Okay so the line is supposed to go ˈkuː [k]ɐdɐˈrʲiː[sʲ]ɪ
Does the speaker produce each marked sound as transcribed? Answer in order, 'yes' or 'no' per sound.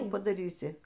no, yes

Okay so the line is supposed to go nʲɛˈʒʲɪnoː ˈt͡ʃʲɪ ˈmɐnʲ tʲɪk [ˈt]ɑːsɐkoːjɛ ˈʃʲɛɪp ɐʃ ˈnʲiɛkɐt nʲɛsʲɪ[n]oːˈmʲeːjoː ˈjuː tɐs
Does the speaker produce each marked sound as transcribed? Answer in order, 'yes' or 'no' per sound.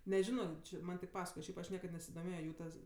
no, no

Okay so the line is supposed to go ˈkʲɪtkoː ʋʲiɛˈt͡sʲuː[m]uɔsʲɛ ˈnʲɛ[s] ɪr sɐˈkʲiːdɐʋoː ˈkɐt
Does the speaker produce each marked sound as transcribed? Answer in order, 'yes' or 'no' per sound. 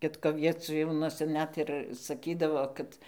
no, no

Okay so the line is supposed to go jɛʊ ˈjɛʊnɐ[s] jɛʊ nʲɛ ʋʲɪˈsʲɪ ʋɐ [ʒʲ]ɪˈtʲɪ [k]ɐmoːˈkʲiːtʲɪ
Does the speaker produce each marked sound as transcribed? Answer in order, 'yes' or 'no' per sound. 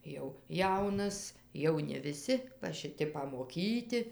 yes, no, no

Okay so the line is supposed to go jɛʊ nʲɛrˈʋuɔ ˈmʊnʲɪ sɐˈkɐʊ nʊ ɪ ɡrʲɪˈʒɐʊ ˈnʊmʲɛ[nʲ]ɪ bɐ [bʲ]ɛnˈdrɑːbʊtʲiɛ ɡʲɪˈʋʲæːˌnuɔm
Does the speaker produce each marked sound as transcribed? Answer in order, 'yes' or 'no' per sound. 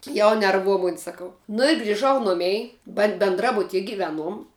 no, yes

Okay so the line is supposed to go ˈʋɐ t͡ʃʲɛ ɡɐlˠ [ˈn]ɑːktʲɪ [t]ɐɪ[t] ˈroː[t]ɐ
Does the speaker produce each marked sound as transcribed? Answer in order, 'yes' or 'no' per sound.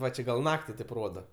yes, yes, no, no

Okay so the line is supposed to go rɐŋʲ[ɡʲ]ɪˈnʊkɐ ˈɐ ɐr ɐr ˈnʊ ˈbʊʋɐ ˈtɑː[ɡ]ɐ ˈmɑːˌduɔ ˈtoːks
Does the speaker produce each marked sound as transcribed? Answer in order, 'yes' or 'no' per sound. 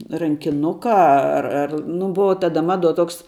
no, no

